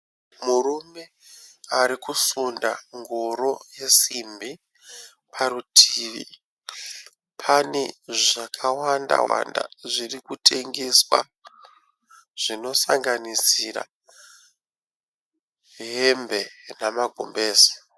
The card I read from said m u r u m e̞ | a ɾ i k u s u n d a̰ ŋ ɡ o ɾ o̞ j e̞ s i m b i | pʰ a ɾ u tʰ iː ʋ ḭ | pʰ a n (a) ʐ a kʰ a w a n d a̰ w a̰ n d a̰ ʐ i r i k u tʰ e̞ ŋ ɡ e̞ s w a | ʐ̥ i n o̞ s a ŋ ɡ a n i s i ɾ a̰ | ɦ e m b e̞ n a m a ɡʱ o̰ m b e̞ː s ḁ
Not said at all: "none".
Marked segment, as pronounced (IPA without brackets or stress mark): e